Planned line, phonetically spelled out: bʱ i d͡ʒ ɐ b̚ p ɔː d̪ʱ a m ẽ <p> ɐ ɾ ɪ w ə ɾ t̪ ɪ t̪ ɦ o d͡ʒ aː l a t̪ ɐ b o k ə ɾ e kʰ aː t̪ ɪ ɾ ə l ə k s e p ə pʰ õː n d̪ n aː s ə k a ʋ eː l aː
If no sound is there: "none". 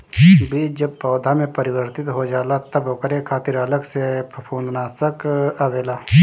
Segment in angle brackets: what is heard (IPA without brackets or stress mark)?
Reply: p